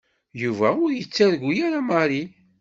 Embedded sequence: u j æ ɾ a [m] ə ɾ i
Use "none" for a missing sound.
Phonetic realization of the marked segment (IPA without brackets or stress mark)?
m